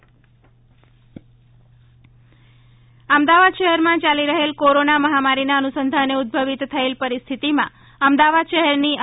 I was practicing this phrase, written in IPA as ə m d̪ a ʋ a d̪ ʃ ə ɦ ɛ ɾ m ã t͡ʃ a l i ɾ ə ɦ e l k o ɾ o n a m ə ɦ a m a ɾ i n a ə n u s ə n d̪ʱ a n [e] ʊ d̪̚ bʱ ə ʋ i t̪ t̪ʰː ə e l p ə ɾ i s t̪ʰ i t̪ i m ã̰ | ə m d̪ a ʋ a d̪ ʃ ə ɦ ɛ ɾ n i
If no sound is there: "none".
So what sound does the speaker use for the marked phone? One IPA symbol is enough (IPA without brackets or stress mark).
e